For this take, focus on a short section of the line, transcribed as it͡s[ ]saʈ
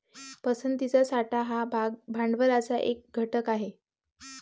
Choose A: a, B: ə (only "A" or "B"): A